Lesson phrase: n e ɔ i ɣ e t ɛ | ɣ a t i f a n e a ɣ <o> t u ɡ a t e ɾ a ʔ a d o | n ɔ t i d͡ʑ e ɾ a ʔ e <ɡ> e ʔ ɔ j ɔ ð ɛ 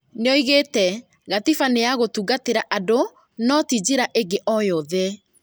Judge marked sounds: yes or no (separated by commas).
yes, yes